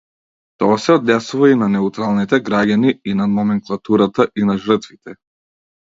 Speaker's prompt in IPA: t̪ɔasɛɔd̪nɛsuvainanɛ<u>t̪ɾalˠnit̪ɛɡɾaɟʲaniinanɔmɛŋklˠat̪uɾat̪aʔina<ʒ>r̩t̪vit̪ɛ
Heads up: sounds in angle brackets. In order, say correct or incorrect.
correct, correct

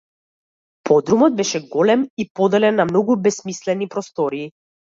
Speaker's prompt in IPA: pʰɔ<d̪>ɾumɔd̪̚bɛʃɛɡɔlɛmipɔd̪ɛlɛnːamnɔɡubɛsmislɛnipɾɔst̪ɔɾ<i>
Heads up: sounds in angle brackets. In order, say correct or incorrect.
correct, incorrect: iː

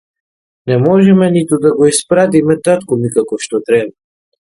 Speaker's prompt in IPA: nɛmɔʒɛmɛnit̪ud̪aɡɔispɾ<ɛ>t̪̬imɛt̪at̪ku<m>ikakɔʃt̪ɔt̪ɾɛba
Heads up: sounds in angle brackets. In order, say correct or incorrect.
incorrect: a, correct

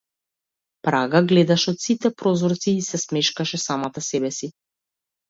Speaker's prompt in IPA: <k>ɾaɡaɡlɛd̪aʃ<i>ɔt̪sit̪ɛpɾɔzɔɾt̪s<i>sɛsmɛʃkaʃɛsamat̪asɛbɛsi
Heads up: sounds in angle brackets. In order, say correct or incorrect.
incorrect: p, incorrect: ɛ, incorrect: iː

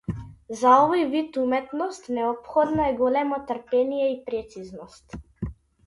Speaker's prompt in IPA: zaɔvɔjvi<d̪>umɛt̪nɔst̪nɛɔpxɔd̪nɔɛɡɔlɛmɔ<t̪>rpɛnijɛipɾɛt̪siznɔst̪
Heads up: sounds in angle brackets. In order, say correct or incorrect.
incorrect: t̪, correct

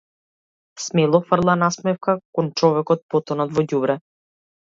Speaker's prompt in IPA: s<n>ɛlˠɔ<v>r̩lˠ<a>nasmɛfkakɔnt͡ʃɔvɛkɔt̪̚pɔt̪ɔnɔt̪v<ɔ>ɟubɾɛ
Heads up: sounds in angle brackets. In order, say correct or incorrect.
incorrect: m, incorrect: f, correct, correct

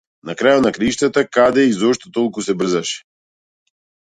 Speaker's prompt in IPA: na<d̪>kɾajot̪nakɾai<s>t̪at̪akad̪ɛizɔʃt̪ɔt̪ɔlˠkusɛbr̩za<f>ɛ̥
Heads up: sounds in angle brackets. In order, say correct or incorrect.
incorrect: none, incorrect: ʃ, incorrect: ʃ

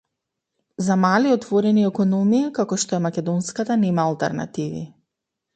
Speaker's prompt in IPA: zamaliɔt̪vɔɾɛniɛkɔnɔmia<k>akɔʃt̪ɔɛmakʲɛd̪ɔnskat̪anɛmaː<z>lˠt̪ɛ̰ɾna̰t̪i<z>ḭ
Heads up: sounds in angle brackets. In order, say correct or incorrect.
correct, incorrect: none, incorrect: v

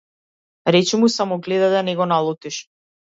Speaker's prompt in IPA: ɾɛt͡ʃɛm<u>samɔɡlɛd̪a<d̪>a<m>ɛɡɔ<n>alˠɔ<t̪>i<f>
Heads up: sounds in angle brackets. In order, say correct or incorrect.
correct, correct, incorrect: n, correct, correct, incorrect: ʃ

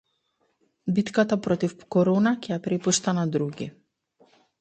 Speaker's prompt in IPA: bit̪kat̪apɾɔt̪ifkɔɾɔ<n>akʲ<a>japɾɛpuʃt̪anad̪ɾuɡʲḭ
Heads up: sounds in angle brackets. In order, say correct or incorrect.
correct, incorrect: ɛ

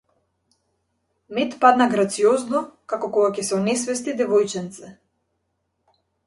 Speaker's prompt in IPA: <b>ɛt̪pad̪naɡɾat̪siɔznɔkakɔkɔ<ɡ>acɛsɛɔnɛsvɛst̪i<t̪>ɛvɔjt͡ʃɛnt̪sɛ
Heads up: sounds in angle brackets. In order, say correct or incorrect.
incorrect: m, correct, incorrect: d̪

